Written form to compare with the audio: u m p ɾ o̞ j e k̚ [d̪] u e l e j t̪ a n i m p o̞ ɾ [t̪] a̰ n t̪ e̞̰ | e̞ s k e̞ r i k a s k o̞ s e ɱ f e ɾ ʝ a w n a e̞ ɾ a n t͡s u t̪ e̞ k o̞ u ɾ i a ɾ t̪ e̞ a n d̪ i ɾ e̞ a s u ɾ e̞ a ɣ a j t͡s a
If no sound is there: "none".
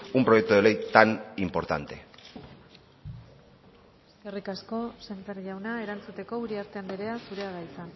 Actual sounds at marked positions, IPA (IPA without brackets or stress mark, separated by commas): t̪, t̪